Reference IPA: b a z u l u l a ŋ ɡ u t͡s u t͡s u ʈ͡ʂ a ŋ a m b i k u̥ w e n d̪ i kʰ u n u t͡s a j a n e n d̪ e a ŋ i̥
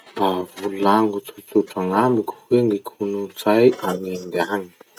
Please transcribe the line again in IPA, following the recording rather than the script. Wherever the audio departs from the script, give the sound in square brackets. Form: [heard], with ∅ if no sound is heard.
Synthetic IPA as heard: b a [v] u l u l a ŋ ɡ u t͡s u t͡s u ʈ͡ʂ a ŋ a m b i k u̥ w e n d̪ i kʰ u n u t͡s a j a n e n d̪ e a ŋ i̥